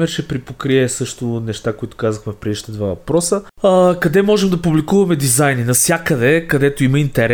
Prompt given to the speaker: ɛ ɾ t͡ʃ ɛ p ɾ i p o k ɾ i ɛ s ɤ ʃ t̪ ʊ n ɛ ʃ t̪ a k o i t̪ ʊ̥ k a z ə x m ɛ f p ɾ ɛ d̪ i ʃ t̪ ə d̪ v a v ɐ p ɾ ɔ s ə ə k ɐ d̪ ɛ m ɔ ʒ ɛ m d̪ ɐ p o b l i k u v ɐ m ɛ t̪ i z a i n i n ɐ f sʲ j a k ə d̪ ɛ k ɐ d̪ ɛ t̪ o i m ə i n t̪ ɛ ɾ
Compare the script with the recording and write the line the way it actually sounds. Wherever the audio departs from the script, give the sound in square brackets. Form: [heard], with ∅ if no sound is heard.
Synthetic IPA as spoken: ɛ ɾ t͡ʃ ɛ p ɾ i p o k ɾ i ɛ s ɤ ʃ t̪ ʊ n ɛ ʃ t̪ a k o i t̪ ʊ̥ k a z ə x m ɛ f p ɾ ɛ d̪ i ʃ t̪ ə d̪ v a v ɐ p ɾ ɔ s ə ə k ɐ d̪ ɛ m ɔ ʒ ɛ m d̪ ɐ p [u] b l i k u v ɐ m ɛ [d̪] i z a [j] n i n ɐ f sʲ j a k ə d̪ ɛ k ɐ d̪ ɛ t̪ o i m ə i n t̪ ɛ ɾ